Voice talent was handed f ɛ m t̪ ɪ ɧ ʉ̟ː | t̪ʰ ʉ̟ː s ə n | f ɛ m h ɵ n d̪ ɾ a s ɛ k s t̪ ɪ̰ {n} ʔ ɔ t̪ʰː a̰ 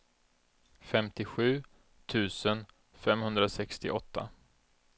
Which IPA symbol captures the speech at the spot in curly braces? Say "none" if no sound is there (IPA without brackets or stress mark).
none